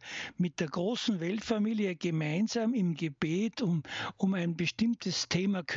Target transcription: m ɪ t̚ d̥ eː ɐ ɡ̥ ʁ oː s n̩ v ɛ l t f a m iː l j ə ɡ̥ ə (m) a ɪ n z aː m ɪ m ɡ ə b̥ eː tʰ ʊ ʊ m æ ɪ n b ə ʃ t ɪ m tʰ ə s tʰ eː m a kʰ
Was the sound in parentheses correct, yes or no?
yes